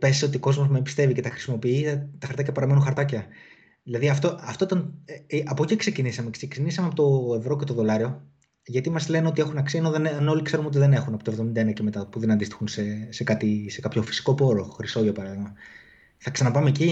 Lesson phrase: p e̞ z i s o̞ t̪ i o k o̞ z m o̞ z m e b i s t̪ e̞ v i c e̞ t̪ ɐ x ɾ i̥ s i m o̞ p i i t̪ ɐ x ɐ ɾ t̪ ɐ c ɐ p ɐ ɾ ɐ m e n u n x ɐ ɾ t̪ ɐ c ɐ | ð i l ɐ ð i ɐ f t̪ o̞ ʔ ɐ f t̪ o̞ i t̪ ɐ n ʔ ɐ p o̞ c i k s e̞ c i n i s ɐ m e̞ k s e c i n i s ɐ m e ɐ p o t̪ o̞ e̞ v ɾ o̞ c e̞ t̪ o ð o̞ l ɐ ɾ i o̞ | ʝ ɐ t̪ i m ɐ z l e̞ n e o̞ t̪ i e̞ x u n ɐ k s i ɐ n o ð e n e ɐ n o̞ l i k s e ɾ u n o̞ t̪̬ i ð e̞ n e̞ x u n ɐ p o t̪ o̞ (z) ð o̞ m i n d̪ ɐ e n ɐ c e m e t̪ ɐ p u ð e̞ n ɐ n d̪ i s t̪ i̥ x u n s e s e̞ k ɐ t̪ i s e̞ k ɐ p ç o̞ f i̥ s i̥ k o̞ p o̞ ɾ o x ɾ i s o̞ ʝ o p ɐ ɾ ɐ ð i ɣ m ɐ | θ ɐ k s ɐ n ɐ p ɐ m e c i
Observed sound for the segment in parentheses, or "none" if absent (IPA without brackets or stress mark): v